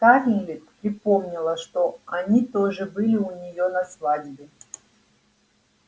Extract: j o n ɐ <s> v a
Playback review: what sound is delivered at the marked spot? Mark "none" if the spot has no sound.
s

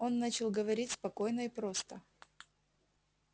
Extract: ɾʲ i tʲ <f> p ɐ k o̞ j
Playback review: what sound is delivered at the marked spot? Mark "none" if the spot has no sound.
s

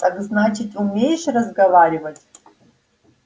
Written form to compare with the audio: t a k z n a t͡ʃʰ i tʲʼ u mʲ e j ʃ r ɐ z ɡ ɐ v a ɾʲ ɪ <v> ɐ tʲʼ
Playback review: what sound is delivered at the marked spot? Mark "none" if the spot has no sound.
v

